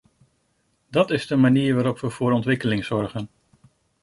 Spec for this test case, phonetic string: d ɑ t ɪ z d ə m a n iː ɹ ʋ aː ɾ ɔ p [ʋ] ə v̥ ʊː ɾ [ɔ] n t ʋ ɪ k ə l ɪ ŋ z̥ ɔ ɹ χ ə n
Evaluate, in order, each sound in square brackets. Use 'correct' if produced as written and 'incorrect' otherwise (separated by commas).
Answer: correct, correct